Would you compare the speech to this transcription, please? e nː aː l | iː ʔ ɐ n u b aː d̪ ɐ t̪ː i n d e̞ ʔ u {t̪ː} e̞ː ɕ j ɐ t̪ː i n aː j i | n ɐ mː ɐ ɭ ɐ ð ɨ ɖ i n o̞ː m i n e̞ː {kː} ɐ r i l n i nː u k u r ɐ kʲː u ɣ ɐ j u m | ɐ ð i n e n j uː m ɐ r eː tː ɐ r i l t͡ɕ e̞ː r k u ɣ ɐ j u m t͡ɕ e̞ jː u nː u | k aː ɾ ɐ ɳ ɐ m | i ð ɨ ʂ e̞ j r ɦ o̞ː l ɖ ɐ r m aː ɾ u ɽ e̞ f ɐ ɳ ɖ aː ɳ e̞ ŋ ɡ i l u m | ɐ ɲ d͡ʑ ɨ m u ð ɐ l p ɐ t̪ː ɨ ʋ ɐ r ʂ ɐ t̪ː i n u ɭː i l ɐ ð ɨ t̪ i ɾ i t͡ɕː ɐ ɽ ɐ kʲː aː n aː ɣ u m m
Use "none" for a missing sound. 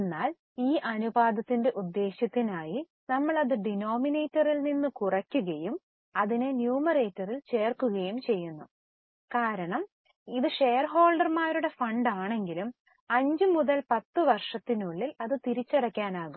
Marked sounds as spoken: d̪ː, tː

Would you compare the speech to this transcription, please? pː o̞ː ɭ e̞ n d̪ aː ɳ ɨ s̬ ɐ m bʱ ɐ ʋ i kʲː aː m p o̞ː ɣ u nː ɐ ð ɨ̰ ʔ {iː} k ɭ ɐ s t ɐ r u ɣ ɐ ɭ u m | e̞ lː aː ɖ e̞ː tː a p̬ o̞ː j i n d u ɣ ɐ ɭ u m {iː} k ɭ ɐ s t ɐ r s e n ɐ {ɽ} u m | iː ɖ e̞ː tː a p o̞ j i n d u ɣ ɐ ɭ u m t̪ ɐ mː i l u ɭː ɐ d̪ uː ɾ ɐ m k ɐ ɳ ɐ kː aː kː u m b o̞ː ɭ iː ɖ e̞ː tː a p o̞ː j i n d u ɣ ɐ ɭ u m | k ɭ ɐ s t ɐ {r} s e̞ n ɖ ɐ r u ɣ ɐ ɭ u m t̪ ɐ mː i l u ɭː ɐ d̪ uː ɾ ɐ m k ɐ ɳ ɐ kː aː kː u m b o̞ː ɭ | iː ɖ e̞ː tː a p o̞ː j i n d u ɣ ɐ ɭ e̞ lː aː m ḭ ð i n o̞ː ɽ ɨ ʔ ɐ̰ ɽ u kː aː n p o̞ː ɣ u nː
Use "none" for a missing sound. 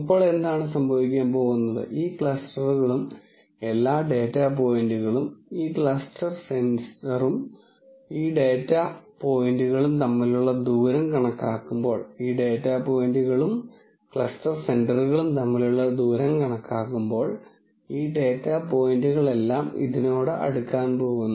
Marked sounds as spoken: iː, iː, r, r

